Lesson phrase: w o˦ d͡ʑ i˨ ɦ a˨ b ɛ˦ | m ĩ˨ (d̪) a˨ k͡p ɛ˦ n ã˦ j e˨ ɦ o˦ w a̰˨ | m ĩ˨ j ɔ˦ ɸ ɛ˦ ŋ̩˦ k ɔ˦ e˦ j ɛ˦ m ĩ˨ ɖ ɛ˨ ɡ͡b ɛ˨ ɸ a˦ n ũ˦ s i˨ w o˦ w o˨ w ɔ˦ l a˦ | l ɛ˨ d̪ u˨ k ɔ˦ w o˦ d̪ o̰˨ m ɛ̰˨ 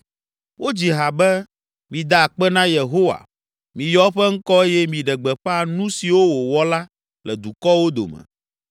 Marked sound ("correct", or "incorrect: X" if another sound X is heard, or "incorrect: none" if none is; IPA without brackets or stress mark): correct